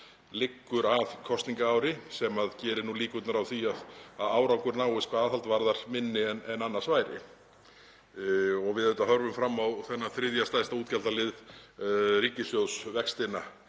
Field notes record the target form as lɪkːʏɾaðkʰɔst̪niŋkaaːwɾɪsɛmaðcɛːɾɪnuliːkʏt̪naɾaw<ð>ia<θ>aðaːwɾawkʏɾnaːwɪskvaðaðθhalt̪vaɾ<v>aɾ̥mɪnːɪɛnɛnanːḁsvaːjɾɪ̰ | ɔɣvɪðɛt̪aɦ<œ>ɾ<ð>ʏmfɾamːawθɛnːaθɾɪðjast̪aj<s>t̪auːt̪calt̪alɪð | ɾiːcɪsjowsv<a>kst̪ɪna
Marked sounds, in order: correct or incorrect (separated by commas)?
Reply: incorrect, incorrect, incorrect, correct, incorrect, correct, incorrect